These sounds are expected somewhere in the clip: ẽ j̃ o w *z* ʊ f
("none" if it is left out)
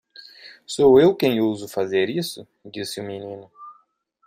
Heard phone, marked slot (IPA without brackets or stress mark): z